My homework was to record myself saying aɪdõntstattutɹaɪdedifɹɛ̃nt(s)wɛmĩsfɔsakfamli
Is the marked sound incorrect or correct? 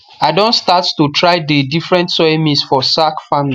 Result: correct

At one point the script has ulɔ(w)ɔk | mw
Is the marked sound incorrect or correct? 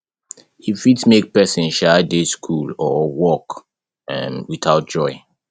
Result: correct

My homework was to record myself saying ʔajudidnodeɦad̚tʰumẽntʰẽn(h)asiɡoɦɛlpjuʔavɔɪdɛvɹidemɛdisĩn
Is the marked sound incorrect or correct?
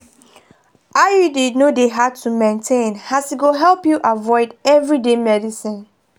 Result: correct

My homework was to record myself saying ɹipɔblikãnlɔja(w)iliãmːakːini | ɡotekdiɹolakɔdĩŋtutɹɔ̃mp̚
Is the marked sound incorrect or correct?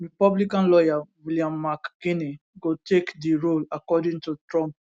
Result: correct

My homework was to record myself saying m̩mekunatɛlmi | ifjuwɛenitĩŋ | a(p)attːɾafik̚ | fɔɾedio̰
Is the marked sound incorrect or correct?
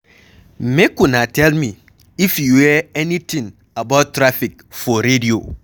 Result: incorrect: b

